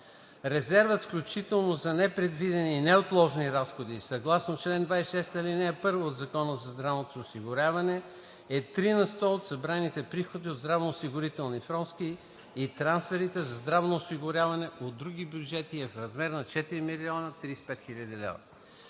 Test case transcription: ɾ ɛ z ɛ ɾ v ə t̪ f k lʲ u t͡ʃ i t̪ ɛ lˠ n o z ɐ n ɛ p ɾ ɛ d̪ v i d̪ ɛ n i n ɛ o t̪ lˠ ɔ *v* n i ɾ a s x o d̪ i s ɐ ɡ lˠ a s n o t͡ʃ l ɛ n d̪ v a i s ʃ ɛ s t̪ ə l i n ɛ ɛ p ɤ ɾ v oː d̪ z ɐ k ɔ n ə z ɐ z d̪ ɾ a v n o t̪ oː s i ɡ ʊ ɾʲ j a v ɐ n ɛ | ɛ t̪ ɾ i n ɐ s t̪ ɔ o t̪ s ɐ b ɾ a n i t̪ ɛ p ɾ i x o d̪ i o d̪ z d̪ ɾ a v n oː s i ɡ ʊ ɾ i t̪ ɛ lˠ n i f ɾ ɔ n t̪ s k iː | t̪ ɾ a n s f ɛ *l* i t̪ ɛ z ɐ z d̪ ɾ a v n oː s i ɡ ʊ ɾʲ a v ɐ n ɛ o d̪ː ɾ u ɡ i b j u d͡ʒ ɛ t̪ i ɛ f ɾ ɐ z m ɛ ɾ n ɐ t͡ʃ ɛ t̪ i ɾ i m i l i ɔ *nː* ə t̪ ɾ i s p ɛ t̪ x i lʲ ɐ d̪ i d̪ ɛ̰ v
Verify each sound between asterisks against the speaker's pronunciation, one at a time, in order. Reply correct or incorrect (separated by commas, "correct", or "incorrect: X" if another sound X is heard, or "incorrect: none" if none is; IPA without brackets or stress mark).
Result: incorrect: ʒ, incorrect: ɾ, incorrect: n